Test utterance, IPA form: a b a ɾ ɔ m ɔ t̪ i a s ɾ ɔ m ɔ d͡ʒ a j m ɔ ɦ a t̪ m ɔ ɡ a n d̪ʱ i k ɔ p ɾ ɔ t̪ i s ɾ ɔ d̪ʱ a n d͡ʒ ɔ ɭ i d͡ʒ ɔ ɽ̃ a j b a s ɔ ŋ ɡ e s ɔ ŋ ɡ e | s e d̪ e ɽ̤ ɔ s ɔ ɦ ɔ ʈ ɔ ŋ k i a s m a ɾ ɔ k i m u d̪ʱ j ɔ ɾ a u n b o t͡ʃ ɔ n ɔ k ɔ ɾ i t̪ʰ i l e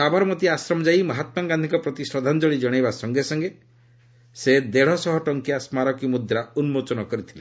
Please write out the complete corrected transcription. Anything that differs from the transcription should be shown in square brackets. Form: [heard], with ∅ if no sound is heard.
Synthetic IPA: a b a ɾ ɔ m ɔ t̪ i a s ɾ ɔ m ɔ d͡ʒ a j m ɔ ɦ a t̪ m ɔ ɡ a n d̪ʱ i k ɔ p ɾ ɔ t̪ i s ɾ ɔ d̪ʱ a n d͡ʒ ɔ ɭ i d͡ʒ ɔ ɽ̃ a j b a s ɔ ŋ ɡ e s ɔ ŋ ɡ e | s e d̪ e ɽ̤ ɔ s ɔ ɦ ɔ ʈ ɔ ŋ k i a s m a ɾ ɔ k i m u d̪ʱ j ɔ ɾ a u n [m] o t͡ʃ ɔ n ɔ k ɔ ɾ i t̪ʰ i l e